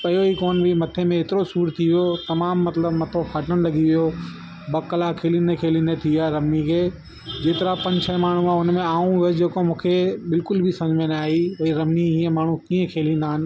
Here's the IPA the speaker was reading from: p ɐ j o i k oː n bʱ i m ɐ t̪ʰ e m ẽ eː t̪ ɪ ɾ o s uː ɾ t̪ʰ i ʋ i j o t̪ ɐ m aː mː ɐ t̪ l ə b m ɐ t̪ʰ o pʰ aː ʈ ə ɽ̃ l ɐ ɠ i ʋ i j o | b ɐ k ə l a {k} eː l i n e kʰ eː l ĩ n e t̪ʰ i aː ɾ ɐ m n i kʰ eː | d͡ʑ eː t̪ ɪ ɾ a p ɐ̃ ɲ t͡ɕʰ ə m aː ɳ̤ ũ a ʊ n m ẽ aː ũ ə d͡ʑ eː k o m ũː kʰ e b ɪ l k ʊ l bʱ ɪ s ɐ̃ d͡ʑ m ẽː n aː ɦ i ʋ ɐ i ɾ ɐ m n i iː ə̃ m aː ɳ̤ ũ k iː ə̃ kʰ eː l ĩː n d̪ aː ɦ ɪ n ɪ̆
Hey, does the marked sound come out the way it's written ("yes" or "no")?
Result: no